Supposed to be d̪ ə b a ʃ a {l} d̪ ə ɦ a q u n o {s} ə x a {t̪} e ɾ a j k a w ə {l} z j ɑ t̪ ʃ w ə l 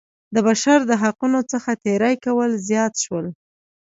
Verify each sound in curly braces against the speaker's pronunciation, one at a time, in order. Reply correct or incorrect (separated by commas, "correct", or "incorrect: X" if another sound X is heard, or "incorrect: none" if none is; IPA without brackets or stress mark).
incorrect: ɾ, incorrect: t͡s, correct, correct